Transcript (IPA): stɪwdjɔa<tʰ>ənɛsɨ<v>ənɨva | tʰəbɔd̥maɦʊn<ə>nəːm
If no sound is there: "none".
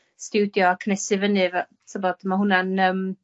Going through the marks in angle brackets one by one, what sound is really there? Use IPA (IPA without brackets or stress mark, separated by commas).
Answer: kʰ, v, a